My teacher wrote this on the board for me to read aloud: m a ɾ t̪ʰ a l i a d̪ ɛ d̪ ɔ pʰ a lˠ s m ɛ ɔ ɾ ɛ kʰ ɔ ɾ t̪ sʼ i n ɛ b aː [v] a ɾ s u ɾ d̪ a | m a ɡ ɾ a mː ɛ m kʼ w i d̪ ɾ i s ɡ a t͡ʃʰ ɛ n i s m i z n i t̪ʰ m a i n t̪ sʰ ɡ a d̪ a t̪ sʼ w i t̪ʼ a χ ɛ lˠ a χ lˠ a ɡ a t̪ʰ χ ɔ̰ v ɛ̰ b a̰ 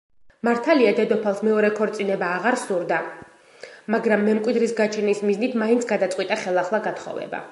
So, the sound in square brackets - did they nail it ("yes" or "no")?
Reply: no